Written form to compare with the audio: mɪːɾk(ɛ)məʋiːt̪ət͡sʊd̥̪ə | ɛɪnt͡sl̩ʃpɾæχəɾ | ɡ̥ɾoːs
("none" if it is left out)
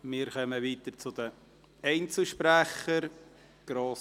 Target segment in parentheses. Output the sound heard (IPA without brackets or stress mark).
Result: œ